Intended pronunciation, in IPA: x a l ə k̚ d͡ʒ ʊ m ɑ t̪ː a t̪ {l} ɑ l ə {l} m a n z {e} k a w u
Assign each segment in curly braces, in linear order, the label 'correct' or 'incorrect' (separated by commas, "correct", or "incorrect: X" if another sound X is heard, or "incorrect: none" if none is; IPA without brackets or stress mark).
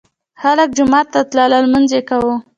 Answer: correct, correct, correct